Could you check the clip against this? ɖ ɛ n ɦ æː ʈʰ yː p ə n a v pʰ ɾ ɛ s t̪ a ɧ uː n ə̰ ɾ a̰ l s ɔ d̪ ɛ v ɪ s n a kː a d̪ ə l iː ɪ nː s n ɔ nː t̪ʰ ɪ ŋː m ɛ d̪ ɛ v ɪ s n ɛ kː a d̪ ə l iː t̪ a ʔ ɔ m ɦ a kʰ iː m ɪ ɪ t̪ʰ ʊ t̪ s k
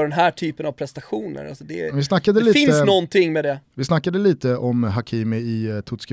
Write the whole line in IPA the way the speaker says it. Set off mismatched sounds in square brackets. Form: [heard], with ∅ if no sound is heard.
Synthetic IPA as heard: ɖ ɛ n ɦ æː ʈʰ yː p ə n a v pʰ ɾ ɛ s t̪ a ɧ uː n ə̰ ɾ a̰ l s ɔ d̪ ɛ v ɪ s n a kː a d̪ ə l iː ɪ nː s n ɔ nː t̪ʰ ɪ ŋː m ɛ d̪ ɛ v ɪ s n [a] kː a d̪ ə l iː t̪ [ə] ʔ ɔ m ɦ a kʰ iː m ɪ ɪ t̪ʰ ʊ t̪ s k